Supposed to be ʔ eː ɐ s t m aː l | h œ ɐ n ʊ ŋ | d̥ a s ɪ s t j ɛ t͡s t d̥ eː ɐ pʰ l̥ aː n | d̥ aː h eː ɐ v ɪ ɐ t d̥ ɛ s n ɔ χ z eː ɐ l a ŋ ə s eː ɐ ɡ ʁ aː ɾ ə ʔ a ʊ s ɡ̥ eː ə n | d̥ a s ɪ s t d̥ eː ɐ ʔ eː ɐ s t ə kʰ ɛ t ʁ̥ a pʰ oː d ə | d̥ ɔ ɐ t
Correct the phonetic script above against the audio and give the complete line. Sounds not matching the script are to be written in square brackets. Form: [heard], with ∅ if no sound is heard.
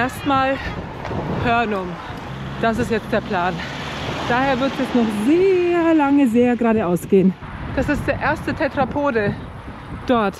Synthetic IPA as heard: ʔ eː ɐ s t m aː l | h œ ɐ n ʊ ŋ | d̥ a s ɪ s t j ɛ t͡s t d̥ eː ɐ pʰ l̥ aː n | d̥ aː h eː ɐ v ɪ ɐ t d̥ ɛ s n ɔ χ z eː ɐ l a ŋ ə [z] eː ɐ ɡ ʁ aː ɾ ə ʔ a ʊ s ɡ̥ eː ə n | d̥ a s ɪ s t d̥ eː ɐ ʔ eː ɐ s t ə [tʰ] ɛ t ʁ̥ a pʰ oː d ə | d̥ ɔ ɐ t